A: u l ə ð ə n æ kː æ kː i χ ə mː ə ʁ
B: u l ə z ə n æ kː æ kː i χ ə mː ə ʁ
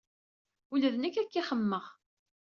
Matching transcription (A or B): A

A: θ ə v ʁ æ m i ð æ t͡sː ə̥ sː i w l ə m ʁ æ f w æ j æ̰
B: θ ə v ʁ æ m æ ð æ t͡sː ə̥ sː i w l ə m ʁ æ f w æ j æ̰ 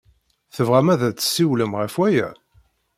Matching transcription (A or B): B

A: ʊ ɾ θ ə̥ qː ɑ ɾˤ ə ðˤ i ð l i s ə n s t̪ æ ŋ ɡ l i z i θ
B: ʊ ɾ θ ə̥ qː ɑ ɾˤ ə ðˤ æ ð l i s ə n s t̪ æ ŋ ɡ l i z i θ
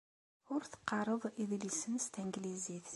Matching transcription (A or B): A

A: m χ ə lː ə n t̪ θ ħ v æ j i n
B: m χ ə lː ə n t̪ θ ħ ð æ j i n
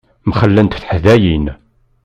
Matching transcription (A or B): B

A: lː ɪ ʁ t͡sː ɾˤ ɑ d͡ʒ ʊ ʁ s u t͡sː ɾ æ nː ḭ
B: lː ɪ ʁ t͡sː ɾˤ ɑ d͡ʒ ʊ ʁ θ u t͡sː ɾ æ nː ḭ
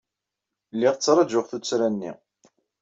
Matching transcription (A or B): B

